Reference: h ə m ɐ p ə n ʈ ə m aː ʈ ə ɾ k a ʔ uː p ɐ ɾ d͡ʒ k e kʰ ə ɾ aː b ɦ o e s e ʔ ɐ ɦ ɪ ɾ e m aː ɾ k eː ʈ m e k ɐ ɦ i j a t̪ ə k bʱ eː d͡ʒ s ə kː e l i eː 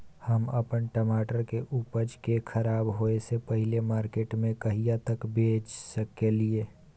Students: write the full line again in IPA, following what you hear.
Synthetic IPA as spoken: h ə m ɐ p ə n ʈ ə m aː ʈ ə ɾ k e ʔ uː p ə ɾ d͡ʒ k e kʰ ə ɾ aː b ɦ o e s e p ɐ ɦ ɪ l e m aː ɾ k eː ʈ m ẽ k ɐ ɦ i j a t̪ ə k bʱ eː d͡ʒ s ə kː e l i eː